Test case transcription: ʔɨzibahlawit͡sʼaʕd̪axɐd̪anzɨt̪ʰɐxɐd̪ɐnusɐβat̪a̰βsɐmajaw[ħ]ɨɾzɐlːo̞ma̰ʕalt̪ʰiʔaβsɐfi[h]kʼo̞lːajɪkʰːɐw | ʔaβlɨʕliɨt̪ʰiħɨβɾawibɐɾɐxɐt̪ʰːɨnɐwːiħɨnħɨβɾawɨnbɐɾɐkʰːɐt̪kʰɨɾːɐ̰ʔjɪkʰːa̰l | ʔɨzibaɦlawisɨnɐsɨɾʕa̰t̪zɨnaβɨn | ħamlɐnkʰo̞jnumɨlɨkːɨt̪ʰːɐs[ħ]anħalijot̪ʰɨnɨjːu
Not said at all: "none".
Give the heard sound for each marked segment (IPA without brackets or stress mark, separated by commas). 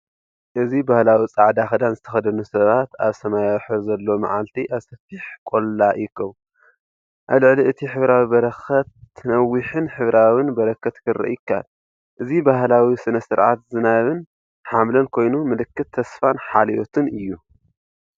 ħ, ħ, f